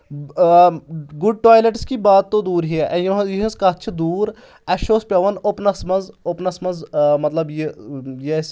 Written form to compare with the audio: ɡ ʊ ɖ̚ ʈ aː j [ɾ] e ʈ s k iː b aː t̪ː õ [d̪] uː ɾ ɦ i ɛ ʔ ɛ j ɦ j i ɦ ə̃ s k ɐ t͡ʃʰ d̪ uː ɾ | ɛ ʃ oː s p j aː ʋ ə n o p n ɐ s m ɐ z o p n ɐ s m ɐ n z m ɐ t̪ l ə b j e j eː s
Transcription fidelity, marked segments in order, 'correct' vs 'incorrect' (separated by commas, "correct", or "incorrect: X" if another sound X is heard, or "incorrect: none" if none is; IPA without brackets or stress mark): incorrect: l, correct